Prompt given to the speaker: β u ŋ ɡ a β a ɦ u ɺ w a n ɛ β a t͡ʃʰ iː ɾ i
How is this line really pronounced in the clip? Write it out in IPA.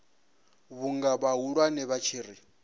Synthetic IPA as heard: β u ŋ ɡ a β a ɦ u ɺ w a n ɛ β a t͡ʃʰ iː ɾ i